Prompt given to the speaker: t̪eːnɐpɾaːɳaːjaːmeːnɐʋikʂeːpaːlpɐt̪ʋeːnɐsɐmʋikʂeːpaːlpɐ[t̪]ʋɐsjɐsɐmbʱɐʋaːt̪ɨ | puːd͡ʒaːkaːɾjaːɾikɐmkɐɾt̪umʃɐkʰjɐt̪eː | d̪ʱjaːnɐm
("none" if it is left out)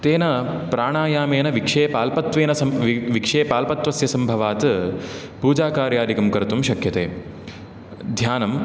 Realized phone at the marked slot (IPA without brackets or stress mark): t̪